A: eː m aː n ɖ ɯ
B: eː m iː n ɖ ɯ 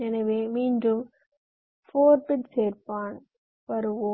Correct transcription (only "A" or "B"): B